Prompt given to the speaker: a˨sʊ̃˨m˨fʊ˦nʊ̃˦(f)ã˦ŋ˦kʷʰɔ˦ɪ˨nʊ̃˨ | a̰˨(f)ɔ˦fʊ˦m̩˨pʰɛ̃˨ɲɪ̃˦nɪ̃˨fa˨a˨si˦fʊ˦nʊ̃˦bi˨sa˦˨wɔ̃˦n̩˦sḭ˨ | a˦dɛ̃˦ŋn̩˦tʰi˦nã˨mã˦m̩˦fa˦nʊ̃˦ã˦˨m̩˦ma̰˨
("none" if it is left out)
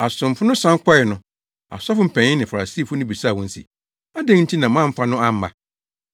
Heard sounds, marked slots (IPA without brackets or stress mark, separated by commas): s, s